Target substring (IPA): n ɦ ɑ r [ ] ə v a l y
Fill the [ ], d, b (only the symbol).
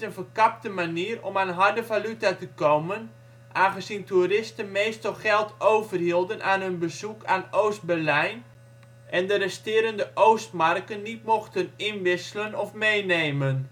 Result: d